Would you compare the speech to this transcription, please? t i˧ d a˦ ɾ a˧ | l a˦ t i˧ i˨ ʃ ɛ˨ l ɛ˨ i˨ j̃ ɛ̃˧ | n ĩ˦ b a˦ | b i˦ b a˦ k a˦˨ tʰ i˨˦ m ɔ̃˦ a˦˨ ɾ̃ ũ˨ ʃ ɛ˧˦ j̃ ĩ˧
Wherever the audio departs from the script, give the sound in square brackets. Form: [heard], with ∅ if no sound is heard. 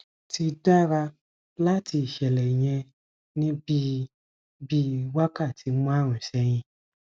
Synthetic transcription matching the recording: t i˧ d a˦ ɾ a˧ | l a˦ t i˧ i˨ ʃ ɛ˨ l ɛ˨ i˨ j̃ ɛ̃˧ | n ĩ˦ b [i˦] | b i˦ [w] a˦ k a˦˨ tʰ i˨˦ m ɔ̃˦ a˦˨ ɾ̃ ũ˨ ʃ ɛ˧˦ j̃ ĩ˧